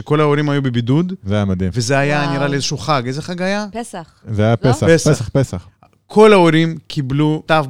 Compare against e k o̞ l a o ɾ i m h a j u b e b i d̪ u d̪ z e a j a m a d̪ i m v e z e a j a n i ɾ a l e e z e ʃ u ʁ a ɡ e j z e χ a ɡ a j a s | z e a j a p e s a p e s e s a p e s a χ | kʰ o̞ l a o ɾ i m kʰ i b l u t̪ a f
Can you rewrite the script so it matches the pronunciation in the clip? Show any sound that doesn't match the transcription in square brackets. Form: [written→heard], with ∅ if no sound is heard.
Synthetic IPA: e k o̞ l a o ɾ i m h a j u b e b i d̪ u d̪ z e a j a m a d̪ i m v e z e a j a n i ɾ a l [e→i] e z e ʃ u [ʁ→χ] a ɡ e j z e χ a ɡ a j a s | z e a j a p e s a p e s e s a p e s a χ | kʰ o̞ l a o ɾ i m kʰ i b l u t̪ a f